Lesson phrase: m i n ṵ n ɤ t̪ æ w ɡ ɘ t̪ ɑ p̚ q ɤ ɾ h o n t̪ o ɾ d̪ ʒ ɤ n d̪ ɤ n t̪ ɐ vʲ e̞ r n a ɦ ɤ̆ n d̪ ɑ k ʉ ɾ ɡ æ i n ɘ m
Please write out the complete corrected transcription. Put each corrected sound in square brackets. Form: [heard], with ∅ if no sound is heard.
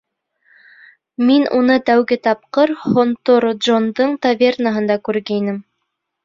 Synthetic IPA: m i n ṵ n ɤ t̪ æ w ɡ ɘ t̪ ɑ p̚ q ɤ ɾ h o n t̪ o ɾ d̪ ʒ [o] n d̪ ɤ [ɴ] t̪ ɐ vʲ e̞ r n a ɦ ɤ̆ n d̪ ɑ k ʉ ɾ ɡ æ i n ɘ m